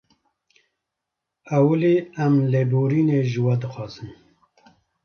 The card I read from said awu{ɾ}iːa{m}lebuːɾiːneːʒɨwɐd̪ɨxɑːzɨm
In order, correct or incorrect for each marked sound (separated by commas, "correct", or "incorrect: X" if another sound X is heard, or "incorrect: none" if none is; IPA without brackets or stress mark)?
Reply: incorrect: l, correct